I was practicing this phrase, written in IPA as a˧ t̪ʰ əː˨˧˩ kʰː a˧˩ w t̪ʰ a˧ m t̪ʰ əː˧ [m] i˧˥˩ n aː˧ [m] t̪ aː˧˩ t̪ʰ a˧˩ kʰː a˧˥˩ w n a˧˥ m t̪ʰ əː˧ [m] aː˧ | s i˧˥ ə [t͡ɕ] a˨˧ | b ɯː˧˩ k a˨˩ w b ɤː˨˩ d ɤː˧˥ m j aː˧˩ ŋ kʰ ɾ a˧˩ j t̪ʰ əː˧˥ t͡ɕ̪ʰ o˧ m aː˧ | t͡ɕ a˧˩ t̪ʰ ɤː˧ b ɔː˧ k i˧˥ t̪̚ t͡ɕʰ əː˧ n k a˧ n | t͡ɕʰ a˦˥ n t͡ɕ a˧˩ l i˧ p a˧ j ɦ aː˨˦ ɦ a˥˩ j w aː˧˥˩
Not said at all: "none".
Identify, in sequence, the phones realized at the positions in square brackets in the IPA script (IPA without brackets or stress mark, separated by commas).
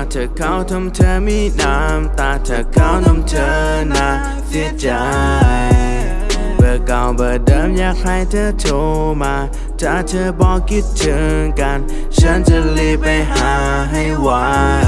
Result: m, m, n, t͡ɕ